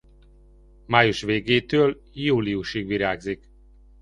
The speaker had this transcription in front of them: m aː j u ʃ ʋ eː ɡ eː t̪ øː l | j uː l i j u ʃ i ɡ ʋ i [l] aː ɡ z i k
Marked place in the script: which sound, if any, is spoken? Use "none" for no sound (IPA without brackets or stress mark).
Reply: ɾ